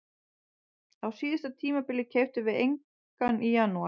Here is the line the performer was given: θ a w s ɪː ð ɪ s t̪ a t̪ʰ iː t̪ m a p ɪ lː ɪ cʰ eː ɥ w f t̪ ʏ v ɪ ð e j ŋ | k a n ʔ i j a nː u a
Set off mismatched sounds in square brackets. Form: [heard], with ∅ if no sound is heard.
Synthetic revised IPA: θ a w s [iː] ð ɪ s t̪ a t̪ʰ iː [∅] m a p ɪ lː ɪ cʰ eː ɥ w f t̪ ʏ v ɪ ð e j ŋ | k a n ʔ i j a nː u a